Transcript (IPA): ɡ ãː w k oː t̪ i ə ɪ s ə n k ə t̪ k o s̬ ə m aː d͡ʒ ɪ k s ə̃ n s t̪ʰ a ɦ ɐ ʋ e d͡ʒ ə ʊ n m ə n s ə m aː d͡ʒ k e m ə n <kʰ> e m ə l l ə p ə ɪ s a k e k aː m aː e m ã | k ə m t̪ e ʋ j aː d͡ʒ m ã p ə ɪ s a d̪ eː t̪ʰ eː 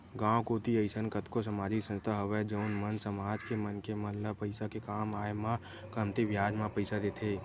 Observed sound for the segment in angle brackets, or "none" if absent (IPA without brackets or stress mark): k